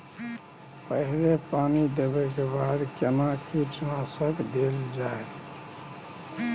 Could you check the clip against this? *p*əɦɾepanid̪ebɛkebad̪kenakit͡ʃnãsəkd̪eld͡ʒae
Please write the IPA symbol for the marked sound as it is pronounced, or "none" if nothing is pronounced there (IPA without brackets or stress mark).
p